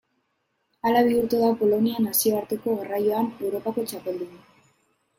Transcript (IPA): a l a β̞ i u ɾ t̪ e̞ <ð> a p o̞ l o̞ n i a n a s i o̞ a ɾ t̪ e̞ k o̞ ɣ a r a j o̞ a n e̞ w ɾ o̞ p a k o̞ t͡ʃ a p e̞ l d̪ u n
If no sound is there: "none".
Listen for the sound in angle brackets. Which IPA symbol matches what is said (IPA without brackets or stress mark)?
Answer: ð